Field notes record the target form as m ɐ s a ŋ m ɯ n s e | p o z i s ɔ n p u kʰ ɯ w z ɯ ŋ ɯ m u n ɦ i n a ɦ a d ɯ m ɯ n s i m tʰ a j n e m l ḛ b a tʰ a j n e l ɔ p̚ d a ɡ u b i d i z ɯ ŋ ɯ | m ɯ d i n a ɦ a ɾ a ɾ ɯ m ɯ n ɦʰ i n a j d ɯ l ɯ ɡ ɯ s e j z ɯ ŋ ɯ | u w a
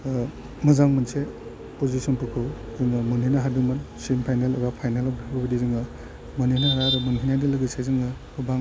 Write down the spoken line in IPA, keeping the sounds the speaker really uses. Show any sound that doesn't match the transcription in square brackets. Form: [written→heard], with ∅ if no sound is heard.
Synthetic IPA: m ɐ [s→z] a ŋ m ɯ n s e | p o z i s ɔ n p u kʰ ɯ w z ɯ ŋ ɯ m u n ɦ i n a ɦ a d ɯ m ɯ n s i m [tʰ→pʰ] a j n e [m→∅] l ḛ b a [tʰ→pʰ] a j n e l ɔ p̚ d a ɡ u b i d i z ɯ ŋ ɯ | m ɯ [d→n] i n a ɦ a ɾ a ɾ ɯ m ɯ n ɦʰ i n a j d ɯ l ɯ ɡ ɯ s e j z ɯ ŋ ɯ | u [w→b] a